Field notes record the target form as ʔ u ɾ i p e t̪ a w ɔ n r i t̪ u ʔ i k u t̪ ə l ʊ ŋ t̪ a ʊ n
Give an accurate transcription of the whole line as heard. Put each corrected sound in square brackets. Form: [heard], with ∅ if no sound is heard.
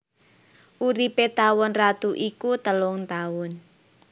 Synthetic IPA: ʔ u ɾ i p e t̪ a w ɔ n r [a] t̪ u ʔ i k u t̪ ə l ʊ ŋ t̪ a ʊ n